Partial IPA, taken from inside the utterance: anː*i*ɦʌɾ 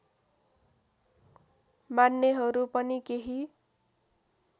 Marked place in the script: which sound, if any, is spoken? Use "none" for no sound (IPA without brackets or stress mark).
e